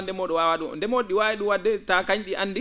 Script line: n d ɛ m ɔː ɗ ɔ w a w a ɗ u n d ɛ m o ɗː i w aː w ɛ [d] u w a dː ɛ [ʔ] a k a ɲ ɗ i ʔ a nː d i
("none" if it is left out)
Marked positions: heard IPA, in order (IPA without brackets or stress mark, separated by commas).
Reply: ɗ, t